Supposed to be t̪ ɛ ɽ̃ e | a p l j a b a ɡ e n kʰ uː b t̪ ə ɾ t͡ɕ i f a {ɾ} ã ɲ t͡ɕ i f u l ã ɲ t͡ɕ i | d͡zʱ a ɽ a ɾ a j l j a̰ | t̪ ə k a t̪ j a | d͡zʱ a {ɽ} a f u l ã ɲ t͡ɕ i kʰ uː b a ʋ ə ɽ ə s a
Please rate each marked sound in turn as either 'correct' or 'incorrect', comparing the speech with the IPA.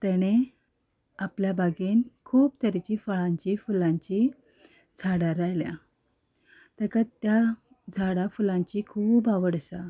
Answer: incorrect: ɭ, correct

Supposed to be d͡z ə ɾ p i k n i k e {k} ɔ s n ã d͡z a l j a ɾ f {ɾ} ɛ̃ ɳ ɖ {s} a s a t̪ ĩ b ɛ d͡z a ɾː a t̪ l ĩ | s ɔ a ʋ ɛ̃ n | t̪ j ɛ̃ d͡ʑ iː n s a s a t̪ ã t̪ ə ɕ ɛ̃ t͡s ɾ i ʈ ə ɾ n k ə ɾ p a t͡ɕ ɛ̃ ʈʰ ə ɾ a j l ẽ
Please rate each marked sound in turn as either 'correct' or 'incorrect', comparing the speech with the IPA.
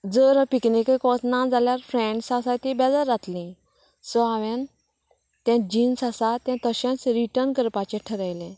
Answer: correct, correct, correct

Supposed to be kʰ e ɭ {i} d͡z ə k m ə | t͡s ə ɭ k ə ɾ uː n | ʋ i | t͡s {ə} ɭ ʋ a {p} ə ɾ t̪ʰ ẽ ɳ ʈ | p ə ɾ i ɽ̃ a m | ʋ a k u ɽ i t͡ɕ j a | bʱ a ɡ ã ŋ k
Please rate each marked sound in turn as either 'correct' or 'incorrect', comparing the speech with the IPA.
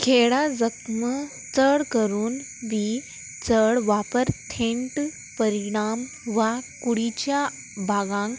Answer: incorrect: a, correct, correct

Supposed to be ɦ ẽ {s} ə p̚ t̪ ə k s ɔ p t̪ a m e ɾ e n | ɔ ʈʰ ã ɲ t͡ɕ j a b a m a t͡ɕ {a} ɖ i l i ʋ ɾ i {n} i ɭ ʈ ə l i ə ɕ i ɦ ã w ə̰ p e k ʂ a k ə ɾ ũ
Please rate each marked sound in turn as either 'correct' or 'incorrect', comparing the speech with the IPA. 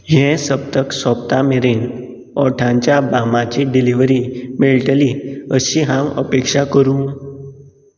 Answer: correct, incorrect: i, incorrect: m

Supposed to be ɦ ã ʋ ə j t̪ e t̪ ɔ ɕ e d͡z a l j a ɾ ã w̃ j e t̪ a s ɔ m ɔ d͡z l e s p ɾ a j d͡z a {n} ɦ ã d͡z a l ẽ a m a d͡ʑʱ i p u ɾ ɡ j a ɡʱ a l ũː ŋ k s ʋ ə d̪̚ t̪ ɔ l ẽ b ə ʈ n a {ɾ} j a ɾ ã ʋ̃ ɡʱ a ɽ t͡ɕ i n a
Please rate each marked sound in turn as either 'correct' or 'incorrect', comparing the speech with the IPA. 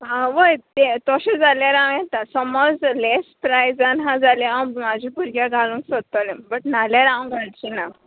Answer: correct, incorrect: l

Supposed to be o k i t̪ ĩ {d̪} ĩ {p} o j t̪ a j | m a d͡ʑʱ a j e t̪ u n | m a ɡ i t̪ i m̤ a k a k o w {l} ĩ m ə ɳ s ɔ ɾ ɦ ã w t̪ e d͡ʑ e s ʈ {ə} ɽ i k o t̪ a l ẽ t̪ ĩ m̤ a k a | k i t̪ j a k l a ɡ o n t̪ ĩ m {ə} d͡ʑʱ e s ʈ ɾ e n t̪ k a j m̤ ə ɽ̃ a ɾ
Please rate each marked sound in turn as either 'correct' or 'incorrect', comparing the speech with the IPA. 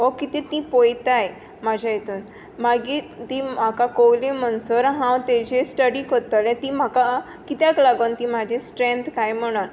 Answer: incorrect: t̪, correct, correct, correct, incorrect: a

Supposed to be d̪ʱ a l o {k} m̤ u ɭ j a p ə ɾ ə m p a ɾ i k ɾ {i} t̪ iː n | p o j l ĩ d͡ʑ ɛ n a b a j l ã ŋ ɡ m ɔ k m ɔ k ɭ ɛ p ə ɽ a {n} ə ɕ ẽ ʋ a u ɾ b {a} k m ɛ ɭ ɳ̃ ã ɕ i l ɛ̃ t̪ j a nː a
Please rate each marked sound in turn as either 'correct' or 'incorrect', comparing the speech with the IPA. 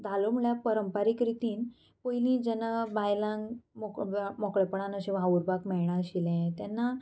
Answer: incorrect: none, correct, correct, correct

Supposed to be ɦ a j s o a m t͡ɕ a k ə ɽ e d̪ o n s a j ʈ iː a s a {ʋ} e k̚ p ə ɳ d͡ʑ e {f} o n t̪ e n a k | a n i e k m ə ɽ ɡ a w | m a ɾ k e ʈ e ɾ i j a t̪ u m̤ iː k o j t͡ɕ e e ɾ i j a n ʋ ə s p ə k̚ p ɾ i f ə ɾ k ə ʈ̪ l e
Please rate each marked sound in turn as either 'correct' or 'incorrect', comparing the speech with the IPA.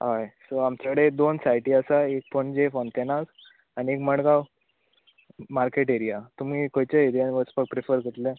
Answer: incorrect: none, correct

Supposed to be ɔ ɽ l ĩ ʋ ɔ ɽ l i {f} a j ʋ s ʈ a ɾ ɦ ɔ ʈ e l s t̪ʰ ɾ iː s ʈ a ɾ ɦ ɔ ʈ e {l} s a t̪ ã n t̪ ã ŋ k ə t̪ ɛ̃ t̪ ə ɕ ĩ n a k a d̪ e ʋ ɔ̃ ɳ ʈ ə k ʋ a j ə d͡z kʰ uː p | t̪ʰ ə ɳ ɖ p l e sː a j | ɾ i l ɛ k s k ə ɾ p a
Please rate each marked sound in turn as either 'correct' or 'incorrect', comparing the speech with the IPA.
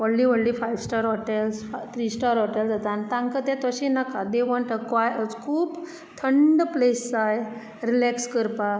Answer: correct, correct

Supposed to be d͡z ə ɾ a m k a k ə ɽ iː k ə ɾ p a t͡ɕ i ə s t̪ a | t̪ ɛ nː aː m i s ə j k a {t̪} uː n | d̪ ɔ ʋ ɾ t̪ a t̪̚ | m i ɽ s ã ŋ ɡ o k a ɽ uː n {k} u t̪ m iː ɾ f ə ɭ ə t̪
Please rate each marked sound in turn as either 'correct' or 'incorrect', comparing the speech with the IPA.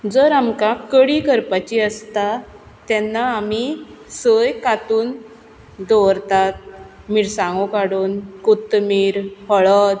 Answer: correct, correct

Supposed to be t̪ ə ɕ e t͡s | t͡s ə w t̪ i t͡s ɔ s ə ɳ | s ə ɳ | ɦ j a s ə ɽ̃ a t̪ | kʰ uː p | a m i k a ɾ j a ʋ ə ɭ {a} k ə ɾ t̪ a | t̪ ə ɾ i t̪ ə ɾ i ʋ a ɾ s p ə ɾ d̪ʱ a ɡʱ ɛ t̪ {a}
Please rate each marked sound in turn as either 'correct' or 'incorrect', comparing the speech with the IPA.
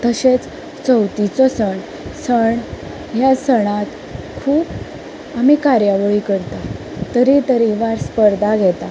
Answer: incorrect: i, correct

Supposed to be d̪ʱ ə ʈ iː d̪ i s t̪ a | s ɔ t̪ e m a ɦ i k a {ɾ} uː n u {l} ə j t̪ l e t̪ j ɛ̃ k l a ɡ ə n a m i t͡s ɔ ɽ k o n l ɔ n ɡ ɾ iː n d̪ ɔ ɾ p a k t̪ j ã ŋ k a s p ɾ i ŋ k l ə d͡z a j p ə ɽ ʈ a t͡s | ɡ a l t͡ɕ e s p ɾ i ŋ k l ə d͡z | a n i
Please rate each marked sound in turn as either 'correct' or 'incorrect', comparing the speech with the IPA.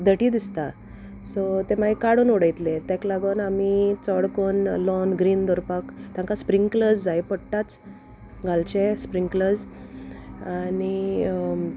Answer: incorrect: ɽ, incorrect: ɽ

